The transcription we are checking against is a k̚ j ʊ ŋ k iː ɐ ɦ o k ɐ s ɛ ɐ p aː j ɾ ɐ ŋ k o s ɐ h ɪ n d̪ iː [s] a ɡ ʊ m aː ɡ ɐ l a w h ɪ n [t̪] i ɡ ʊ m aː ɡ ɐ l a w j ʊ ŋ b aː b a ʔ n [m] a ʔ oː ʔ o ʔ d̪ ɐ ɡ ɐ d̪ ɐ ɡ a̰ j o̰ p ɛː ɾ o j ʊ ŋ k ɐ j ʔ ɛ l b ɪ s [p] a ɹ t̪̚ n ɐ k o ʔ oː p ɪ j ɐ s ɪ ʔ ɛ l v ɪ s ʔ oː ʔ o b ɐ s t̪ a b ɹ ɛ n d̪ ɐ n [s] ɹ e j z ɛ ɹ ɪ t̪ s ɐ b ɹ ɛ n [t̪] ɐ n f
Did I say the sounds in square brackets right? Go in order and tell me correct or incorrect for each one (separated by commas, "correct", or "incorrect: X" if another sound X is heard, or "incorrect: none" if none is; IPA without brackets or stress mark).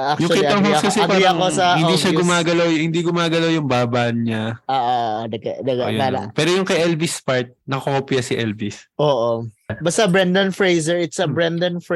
incorrect: ʃ, incorrect: d̪, incorrect: ɲ, correct, incorrect: f, incorrect: d̪